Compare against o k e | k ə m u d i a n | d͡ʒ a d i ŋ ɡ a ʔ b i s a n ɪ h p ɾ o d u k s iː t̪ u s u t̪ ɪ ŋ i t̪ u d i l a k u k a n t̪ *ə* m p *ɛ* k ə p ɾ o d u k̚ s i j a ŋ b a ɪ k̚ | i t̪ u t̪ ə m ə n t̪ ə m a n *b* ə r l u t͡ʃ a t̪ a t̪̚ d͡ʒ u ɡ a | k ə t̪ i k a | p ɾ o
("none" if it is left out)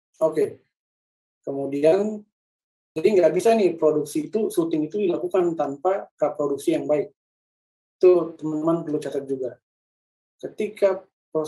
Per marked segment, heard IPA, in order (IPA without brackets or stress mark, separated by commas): a, a, p